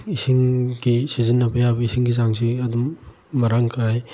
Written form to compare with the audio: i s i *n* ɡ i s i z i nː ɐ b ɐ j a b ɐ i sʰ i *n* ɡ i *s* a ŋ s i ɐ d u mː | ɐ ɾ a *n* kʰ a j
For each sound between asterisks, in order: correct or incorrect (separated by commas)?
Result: incorrect, incorrect, incorrect, incorrect